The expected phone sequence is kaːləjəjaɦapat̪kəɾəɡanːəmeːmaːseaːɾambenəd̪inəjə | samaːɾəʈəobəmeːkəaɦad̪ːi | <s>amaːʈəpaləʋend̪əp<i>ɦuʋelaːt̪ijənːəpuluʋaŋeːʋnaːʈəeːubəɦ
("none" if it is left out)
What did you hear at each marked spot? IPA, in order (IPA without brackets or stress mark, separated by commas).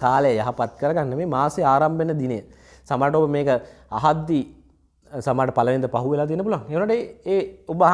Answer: s, a